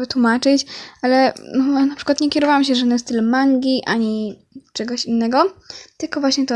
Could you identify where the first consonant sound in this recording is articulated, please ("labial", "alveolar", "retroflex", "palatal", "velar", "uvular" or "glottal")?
labial